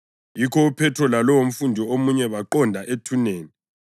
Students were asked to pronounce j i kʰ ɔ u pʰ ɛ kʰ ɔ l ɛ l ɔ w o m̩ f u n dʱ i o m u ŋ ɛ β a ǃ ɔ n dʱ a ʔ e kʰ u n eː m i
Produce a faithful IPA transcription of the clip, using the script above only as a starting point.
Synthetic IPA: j i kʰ ɔ u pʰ ɛ tʰ ɔ l a l ɔ w o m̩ f u n dʱ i o m u ɲ ɛ β a ǃ ɔ n dʱ a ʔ e tʰ u n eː n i